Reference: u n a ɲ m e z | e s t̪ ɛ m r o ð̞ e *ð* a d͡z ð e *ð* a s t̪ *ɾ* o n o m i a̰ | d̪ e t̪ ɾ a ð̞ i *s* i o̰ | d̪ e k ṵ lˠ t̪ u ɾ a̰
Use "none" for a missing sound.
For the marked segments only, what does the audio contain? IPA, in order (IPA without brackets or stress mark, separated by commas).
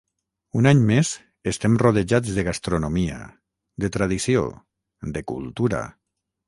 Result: ʒ, ɣ, ɾ, s